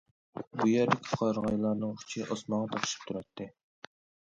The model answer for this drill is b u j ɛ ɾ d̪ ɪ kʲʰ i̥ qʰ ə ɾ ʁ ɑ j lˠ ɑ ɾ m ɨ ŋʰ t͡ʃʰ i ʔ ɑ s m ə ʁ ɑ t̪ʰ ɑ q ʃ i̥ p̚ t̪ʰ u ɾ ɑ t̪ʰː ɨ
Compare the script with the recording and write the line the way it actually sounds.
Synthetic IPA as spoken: b u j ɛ ɾ d̪ ɪ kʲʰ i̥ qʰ ɑ ɾ ʁ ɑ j lˠ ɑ ɾ n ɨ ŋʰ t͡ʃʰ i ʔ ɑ s m ɑ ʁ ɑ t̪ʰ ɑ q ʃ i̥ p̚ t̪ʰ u ɾ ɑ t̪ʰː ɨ